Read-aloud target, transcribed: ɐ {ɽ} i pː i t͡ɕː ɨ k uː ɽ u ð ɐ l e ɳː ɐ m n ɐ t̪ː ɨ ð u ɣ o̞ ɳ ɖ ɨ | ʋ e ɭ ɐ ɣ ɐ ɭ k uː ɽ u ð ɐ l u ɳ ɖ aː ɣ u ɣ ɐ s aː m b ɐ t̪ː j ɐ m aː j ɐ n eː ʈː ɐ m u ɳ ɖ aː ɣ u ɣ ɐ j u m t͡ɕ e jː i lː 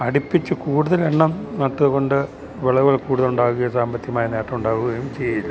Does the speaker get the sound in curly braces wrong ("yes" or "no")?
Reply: no